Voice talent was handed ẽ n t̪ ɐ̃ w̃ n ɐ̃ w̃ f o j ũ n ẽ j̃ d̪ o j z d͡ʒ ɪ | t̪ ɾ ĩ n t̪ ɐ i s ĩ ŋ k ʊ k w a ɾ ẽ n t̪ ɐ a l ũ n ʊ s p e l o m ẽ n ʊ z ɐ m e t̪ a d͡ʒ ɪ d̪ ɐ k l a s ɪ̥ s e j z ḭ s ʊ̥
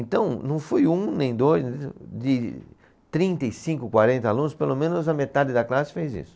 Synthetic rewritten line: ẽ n t̪ ɐ̃ w̃ n ɐ̃ w̃ f o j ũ n ẽ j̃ d̪ o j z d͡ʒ ɪ | t̪ ɾ ĩ n t̪ ɐ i s ĩ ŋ k ʊ k w a ɾ ẽ n t̪ ɐ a l ũ n ʊ s p e l o m ẽ n ʊ z ɐ m e t̪ a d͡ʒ ɪ d̪ ɐ k l a s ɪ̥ f e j z ḭ s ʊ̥